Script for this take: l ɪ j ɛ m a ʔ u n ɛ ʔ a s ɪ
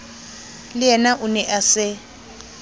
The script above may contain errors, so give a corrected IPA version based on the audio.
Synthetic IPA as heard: l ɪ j ɛ n a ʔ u n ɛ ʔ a s ɪ